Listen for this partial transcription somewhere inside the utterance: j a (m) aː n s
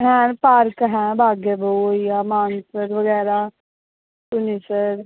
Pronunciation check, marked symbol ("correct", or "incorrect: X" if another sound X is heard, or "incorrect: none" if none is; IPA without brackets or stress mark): correct